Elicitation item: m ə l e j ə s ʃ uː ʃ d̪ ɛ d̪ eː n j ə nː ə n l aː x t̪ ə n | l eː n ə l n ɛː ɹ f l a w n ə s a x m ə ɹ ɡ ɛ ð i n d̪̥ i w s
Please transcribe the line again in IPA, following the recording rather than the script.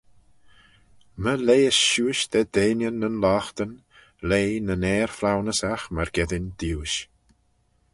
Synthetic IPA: m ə l e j ə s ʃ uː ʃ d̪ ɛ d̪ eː n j ə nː ə n l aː x t̪ ə n | l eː n ə n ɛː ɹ f l a w n ə s a x m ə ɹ ɡ ɛ ð ɪ n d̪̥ i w ʃ